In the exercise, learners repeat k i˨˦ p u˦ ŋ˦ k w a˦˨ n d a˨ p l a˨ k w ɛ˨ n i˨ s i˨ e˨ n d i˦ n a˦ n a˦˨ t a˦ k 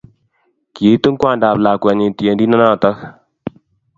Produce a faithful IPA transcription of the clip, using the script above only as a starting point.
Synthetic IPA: k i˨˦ t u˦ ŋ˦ k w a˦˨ n d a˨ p l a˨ k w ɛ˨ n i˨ t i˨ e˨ n d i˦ n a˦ n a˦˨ t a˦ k